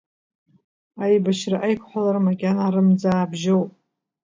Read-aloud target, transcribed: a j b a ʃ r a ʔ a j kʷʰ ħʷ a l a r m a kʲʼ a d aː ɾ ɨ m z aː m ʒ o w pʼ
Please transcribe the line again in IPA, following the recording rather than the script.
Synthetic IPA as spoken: a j b a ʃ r a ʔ a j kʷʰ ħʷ a l a r m a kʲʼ a n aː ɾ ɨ m d͡z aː b ʒ o w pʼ